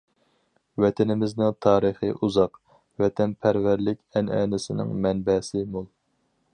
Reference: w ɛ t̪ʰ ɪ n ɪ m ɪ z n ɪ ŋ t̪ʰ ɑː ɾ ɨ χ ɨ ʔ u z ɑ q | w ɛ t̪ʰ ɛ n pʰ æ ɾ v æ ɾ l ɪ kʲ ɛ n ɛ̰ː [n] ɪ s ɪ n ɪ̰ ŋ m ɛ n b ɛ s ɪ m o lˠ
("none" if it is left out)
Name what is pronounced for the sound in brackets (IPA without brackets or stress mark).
n